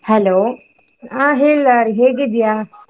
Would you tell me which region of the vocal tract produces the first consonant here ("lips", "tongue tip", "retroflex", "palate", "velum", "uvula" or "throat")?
throat